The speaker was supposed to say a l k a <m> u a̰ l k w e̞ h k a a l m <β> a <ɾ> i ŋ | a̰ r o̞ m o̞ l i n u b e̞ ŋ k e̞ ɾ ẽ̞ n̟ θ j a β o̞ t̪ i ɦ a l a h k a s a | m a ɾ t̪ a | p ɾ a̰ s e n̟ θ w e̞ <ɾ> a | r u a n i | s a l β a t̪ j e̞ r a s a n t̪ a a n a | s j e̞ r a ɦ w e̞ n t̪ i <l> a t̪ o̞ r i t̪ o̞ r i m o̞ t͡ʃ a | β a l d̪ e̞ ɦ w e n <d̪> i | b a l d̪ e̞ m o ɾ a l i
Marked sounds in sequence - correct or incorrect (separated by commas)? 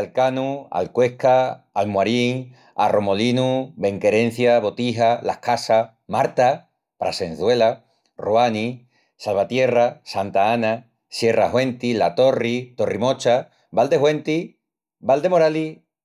incorrect, incorrect, correct, incorrect, correct, incorrect